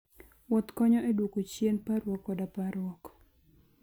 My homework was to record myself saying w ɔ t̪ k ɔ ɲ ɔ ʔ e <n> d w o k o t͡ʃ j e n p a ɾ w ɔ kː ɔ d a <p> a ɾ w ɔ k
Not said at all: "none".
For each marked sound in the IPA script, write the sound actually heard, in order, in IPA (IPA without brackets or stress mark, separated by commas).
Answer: none, p